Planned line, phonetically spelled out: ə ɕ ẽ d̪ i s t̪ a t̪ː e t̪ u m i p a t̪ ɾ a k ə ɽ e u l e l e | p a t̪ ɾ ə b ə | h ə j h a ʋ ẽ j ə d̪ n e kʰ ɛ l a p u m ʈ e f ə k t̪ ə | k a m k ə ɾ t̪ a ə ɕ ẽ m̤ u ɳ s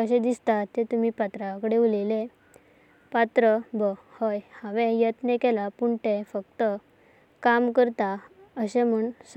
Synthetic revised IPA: ə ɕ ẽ d̪ i s t̪ a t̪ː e t̪ u m i p a t̪ ɾ a k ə ɽ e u l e l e | p a t̪ ɾ ə b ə | h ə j h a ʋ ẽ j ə t̪ n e k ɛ l a p u ɳ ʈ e f ə k t̪ ə | k a m k ə ɾ t̪ a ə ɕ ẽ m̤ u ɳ s